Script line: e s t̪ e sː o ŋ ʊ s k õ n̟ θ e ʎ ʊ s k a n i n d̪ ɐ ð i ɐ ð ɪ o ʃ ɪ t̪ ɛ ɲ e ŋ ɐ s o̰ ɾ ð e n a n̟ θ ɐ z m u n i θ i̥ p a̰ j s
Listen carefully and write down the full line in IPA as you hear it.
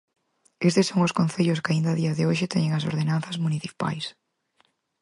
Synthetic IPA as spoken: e s t̪ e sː o ŋ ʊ s k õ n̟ θ e ʎ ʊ s k a i n d̪ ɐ ð i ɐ ð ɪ o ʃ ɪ t̪ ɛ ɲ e ŋ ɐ s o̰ ɾ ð e n a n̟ θ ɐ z m u n i θ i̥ p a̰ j s

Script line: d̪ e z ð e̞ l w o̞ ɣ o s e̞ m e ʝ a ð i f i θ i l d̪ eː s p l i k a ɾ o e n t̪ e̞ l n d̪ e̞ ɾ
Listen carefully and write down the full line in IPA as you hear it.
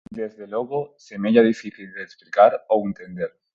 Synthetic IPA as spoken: d̪ e z ð e̞ l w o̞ ɣ o s e̞ m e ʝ a ð i f i θ i l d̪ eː s p l i k a ɾ o e n t̪ e̞ n d̪ e̞ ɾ

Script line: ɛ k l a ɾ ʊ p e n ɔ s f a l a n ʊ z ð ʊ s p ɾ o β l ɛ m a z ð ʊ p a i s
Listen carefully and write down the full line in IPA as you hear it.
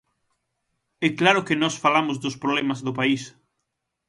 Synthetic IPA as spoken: ɛ k l a ɾ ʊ k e n ɔ s f a l a m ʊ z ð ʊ s p ɾ o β l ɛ m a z ð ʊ p a i s

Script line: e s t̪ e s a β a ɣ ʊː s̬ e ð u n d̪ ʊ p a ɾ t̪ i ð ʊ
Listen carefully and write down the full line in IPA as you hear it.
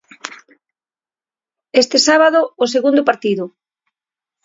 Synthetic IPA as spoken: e s t̪ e s a β a ð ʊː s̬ e ɣ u n d̪ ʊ p a ɾ t̪ i ð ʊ

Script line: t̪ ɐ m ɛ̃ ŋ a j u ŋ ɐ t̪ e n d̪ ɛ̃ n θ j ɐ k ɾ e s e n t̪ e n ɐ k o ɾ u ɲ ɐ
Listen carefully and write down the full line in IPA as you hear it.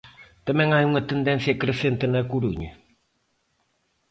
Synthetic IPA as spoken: t̪ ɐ m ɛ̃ ŋ a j u ŋ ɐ t̪ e n d̪ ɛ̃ n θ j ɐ k ɾ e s e n t̪ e n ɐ k u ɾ u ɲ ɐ

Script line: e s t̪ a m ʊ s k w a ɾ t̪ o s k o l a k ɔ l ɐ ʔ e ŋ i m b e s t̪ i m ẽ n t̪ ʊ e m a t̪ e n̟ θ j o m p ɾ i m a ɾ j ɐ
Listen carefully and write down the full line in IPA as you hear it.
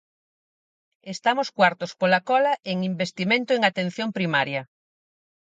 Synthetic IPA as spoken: e s t̪ a m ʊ s k w a ɾ t̪ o s p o l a k ɔ l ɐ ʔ e ŋ i m b e s t̪ i m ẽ n t̪ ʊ e ŋ a t̪ e n̟ θ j o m p ɾ i m a ɾ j ɐ

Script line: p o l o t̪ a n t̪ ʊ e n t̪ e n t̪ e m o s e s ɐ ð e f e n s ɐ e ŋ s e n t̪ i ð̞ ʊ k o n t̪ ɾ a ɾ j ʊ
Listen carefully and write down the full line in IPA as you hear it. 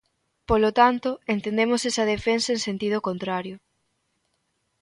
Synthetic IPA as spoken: p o l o t̪ a n t̪ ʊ e n t̪ e n d̪ e m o s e s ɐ ð e f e n s ɐ e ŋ s e n t̪ i ð̞ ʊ k o n t̪ ɾ a ɾ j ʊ

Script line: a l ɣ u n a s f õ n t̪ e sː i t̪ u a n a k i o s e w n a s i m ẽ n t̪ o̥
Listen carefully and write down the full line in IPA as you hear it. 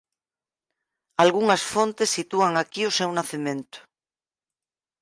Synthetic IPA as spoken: a l ɣ u ŋ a s f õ n t̪ e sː i t̪ u a ŋ a k i o s e w n a θ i m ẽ n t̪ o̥

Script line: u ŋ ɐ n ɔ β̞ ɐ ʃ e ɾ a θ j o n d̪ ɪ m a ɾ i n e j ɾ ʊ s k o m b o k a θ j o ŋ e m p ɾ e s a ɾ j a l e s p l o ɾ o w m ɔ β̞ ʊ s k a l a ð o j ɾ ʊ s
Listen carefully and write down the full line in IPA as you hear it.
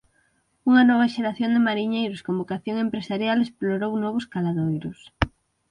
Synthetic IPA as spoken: u ŋ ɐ n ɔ β̞ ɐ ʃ e ɾ a θ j o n d̪ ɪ m a ɾ i ɲ e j ɾ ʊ s k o m b o k a θ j o ŋ e m p ɾ e s a ɾ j a l e s p l o ɾ o w n ɔ β̞ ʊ s k a l a ð o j ɾ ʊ s

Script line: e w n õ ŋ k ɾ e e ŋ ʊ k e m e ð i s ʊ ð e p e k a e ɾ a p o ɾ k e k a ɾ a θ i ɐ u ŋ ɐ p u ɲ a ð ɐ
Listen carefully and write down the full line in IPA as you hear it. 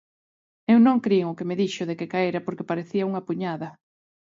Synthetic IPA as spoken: e w n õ ŋ k ɾ i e ŋ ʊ k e m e ð i ʃ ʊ ð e k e k a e ɾ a p o ɾ k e p a ɾ e θ i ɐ u ŋ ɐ p u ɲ a ð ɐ

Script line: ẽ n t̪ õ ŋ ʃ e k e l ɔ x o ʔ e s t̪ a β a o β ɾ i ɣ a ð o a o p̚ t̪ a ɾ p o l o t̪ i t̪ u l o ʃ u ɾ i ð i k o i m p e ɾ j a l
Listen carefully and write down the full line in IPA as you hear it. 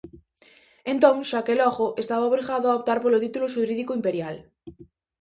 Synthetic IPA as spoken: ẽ n t̪ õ ŋ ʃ a k e l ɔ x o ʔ e s t̪ a β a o β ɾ i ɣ a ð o a o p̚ t̪ a ɾ p o l o t̪ i t̪ u l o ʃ u ɾ i ð i k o i m p e ɾ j a l

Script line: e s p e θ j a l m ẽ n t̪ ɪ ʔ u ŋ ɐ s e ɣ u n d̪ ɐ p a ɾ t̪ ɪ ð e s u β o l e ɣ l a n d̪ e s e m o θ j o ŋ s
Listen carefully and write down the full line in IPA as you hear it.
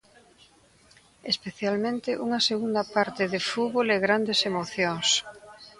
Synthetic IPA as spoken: e s p e θ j a l m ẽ n t̪ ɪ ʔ u ŋ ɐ s e ɣ u n d̪ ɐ p a ɾ t̪ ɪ ð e f u β o l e ɣ ɾ a n d̪ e s e m o θ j o ŋ s

